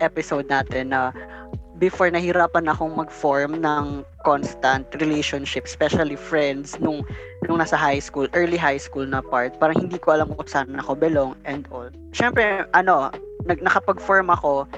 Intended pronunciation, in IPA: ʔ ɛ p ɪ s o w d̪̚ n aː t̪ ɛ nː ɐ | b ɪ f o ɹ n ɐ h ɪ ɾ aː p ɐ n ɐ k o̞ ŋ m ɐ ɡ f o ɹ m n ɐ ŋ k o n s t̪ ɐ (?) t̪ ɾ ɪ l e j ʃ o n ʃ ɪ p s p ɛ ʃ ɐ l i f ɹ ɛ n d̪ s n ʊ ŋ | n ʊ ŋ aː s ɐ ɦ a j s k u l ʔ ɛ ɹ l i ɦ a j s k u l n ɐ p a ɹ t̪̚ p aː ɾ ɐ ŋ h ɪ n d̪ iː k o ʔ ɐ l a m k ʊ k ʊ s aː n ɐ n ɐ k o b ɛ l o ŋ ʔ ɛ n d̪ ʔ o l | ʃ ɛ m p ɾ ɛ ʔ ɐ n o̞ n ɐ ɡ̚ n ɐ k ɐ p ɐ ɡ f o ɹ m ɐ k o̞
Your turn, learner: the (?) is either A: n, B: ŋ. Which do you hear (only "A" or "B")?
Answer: A